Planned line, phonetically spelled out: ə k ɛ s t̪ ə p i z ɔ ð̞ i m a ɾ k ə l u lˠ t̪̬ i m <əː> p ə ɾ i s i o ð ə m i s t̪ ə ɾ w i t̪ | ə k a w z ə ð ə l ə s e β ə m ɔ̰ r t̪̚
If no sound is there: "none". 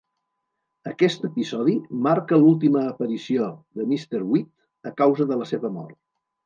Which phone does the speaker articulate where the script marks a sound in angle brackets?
əː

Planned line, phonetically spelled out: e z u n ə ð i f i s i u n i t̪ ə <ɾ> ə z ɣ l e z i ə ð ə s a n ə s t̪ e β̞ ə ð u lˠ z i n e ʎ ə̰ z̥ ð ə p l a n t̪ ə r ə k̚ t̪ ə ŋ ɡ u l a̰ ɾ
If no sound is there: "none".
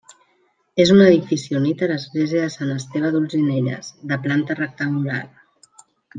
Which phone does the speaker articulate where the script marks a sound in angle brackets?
l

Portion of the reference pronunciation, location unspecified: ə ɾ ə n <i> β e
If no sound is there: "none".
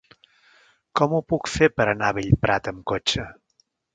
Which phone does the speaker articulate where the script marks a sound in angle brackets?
a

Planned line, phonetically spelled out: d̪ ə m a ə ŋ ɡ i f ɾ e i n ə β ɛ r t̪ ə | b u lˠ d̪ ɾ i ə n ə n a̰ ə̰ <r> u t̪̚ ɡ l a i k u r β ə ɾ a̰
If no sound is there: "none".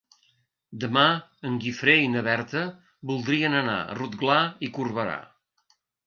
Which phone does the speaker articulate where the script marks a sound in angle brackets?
r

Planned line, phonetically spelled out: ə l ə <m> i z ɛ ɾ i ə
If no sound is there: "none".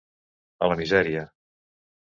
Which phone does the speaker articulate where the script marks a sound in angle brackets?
m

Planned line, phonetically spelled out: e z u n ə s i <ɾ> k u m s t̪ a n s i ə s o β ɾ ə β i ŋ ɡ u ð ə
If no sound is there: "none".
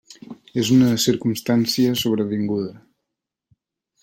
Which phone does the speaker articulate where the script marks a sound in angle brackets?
ɾ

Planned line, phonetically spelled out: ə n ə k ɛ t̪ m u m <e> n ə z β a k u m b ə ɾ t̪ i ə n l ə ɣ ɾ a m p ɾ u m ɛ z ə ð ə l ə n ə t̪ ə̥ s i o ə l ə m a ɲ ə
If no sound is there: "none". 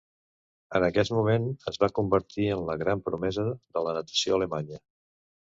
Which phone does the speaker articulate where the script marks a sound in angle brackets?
e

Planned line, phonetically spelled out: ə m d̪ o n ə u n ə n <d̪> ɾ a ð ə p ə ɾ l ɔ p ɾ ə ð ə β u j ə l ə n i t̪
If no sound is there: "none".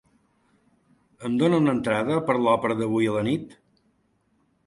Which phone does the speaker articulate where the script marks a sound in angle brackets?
t̪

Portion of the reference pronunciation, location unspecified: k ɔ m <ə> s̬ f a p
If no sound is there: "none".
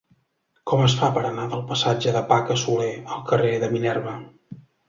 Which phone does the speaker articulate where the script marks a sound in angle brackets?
ə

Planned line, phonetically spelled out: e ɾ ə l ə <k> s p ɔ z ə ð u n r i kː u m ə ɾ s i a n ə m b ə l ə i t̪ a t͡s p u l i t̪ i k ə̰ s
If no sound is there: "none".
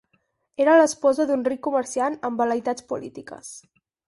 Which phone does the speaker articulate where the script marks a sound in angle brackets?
none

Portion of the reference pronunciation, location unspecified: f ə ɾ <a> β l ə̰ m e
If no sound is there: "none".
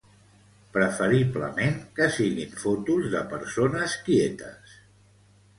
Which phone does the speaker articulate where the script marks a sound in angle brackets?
i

